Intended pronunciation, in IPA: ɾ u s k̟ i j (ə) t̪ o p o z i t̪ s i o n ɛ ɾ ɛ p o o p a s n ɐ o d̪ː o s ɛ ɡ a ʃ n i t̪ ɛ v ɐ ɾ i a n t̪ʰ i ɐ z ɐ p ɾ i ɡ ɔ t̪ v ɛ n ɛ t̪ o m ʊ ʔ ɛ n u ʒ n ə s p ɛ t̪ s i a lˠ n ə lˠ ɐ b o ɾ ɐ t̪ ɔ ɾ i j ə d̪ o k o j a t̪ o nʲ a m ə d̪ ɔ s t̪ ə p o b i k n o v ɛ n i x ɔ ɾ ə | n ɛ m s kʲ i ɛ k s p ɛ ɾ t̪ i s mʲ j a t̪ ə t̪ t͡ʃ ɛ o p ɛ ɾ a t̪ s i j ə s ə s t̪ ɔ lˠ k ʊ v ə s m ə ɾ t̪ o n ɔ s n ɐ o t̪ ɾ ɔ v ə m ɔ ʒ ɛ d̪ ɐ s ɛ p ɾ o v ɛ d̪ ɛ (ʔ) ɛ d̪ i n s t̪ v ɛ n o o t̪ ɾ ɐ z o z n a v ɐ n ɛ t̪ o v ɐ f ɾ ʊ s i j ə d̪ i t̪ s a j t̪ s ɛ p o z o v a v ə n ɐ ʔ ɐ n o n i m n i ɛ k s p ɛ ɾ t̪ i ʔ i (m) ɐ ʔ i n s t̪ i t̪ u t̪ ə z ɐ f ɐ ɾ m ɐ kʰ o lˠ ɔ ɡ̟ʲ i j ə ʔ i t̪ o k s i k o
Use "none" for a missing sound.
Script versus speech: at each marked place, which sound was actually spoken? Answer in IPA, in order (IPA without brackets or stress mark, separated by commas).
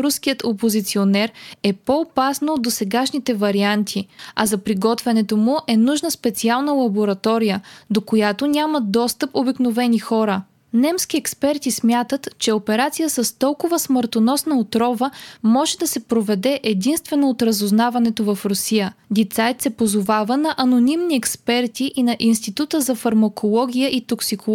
ə, ʔ, n